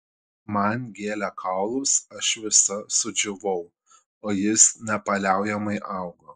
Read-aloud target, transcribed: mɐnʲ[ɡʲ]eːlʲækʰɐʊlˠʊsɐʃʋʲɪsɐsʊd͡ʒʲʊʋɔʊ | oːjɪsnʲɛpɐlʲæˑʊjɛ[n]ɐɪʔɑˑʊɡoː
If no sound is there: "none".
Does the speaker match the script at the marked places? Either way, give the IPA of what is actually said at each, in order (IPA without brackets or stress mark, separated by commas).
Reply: ɡʲ, m